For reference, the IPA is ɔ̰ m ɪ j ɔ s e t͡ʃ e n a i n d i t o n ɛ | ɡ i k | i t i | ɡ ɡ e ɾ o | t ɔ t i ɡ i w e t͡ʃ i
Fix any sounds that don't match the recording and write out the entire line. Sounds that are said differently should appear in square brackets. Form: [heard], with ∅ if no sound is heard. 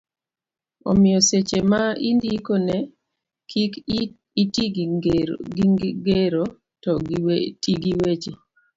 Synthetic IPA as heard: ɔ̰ m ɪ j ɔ s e t͡ʃ e [m] a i n d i [k] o n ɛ | [k] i k | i t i | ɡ ɡ e ɾ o | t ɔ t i ɡ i w e t͡ʃ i